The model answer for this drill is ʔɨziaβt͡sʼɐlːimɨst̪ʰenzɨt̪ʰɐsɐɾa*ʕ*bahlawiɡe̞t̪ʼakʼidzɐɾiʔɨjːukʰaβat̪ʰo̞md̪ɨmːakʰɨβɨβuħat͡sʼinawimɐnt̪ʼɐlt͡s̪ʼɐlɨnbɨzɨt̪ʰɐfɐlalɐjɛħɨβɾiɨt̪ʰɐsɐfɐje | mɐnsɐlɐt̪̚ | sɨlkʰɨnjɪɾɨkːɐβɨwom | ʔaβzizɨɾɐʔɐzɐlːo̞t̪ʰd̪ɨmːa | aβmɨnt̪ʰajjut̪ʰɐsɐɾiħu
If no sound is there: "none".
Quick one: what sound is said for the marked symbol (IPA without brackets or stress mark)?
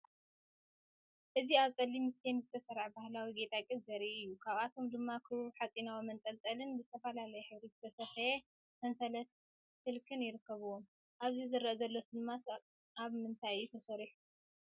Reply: ʕ